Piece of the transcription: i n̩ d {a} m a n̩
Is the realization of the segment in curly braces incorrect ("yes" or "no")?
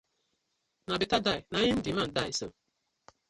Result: yes